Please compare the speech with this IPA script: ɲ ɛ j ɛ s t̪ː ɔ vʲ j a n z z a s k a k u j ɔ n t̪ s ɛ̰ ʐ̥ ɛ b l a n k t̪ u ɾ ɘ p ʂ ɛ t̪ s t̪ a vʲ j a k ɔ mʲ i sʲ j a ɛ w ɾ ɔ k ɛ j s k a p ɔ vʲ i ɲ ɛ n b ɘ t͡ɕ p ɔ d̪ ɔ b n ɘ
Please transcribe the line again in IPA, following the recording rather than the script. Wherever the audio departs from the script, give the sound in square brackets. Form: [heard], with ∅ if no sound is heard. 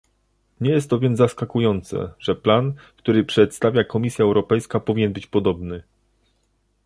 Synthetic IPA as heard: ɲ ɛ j ɛ s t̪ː ɔ vʲ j [ɛ] n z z a s k a k u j ɔ n t̪ s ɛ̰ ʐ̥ ɛ [p] l a n k t̪ u ɾ ɘ p ʂ ɛ t̪ s t̪ a vʲ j a k ɔ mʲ i sʲ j a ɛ w ɾ ɔ [p] ɛ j s k a p ɔ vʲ i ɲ ɛ n b ɘ t͡ɕ p ɔ d̪ ɔ b n ɘ